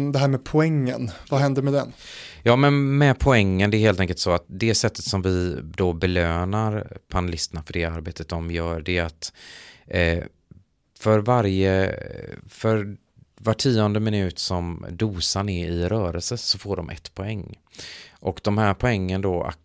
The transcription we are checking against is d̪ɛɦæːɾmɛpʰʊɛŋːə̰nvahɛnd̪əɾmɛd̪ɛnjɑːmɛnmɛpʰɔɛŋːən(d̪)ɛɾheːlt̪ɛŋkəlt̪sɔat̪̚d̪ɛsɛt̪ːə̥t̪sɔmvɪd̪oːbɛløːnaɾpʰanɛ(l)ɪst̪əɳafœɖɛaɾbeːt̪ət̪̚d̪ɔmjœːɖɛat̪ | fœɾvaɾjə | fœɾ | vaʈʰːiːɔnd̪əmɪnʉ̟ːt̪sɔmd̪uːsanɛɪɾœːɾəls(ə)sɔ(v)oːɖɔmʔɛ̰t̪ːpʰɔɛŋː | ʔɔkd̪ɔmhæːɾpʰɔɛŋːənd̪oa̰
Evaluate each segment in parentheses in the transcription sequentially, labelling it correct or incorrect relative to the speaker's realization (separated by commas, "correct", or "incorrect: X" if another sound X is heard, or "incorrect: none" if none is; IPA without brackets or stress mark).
correct, correct, correct, incorrect: f